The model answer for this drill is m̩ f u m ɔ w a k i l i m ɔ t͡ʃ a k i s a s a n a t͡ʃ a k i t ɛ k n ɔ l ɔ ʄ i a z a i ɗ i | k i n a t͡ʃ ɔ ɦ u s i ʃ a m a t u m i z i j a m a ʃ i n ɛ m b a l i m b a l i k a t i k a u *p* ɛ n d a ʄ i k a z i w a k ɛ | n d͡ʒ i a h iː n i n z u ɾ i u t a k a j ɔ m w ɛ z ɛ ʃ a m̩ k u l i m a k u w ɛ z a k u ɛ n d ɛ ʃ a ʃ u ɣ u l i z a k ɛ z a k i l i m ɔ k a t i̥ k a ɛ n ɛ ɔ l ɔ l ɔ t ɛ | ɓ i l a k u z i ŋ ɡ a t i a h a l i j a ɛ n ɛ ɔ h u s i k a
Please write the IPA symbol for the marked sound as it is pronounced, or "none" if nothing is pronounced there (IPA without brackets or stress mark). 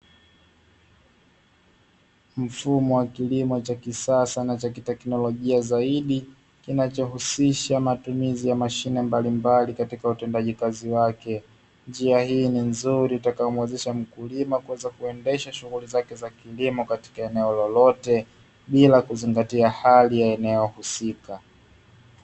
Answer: t